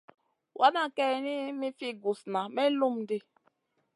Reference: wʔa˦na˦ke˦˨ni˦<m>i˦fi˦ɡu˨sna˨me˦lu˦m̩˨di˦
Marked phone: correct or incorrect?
correct